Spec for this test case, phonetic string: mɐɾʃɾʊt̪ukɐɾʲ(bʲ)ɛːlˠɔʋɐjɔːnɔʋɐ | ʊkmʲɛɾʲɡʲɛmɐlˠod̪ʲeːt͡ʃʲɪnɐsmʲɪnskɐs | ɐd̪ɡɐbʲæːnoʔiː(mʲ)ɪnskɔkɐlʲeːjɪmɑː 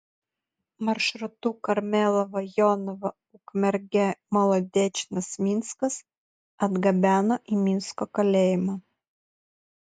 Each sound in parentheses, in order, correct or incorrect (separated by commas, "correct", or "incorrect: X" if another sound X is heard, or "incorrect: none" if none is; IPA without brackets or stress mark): incorrect: mʲ, correct